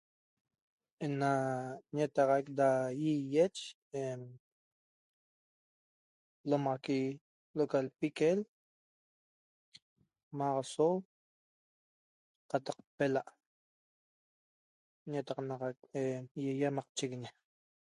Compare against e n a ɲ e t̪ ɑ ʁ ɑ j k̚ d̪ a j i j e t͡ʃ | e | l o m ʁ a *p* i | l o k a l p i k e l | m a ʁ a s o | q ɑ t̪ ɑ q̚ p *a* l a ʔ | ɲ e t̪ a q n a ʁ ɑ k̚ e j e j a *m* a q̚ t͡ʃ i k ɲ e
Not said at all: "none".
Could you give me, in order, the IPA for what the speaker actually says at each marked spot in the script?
k, e, m

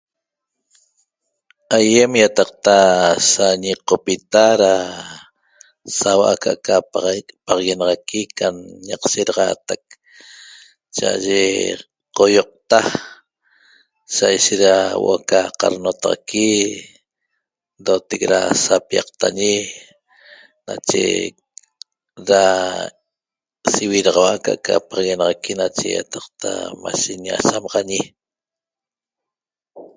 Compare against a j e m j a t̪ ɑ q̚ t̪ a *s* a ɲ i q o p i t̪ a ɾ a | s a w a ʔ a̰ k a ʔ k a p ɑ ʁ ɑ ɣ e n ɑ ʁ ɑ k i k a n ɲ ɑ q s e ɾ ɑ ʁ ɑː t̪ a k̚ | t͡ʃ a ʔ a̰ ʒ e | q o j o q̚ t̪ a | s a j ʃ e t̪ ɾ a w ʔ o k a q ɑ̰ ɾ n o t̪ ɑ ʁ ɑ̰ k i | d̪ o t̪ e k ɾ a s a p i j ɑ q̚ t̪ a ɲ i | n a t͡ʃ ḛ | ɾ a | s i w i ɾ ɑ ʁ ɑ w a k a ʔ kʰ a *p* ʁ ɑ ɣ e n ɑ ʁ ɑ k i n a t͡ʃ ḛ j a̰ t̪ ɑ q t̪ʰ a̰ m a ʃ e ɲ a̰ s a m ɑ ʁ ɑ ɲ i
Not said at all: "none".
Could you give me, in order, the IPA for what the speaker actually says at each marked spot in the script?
s, p

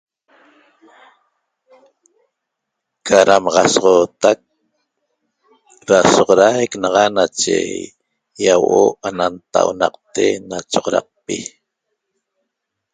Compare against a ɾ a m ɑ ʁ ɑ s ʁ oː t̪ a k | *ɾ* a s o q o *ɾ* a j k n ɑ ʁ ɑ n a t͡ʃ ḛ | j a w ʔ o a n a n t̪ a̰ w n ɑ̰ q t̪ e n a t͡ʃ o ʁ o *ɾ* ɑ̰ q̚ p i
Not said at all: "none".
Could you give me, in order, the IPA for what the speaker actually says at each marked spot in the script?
ɾ, ɾ, ɾ

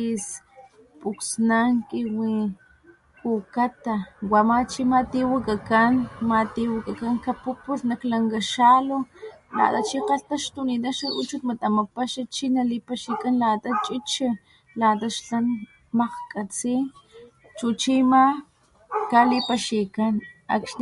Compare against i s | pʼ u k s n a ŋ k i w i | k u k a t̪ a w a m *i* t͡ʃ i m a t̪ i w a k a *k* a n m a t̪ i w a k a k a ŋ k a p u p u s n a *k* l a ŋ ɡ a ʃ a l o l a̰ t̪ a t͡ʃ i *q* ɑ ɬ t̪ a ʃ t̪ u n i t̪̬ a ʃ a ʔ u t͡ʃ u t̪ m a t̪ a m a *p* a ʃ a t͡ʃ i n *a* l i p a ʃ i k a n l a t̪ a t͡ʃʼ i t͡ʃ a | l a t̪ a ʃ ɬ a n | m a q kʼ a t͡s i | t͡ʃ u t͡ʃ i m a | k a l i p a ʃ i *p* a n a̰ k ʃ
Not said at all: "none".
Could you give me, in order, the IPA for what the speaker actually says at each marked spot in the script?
a, k, k, q, p, a, k

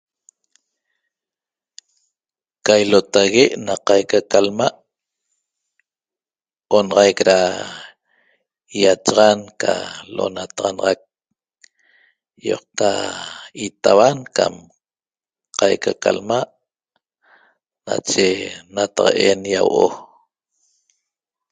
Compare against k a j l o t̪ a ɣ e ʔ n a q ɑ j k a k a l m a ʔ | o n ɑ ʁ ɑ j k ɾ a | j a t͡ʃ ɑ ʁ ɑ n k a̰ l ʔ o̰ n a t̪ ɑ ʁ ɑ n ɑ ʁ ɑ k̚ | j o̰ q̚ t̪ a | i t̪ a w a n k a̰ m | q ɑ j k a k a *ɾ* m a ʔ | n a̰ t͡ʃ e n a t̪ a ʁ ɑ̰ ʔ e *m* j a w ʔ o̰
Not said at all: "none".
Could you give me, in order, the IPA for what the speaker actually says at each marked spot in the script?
l, n

